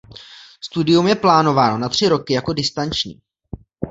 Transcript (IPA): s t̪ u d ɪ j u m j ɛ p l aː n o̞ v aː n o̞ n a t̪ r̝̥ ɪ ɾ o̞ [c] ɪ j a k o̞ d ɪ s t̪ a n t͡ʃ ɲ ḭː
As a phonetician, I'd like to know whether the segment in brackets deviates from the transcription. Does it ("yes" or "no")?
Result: yes